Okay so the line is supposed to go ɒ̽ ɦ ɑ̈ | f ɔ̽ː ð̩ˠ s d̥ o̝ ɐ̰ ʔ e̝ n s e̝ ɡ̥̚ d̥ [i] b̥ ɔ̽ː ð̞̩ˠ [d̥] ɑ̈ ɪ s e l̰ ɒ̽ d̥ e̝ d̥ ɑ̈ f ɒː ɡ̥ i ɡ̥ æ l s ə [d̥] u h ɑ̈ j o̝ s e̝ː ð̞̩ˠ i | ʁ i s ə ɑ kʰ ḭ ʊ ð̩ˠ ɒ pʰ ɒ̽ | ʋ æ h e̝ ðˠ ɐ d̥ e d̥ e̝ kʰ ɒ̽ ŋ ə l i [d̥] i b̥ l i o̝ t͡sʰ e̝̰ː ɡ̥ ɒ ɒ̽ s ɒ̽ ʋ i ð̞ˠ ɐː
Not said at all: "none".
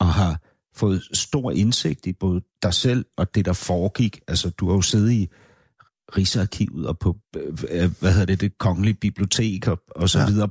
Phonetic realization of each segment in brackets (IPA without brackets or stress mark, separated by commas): i, d̥, d̥, b̥